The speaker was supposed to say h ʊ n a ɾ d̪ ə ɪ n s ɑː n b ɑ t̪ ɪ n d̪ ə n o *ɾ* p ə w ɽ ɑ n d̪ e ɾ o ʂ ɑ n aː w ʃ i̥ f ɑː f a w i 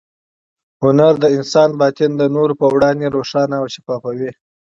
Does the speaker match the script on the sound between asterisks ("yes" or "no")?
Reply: yes